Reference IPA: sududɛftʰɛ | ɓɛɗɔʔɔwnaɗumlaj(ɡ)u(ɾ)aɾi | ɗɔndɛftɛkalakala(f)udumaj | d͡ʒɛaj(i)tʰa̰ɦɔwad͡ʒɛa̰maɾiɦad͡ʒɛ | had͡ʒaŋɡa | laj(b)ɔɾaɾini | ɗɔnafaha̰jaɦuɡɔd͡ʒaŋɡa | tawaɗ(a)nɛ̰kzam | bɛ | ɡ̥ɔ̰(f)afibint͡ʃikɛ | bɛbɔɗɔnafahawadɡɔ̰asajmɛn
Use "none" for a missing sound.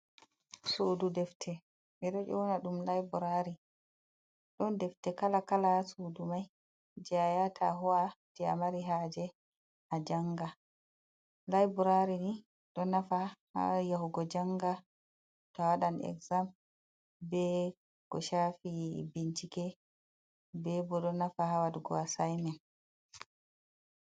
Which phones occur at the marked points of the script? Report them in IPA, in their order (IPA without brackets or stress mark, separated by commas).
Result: b, ɾ, s, a, b, a, ʃ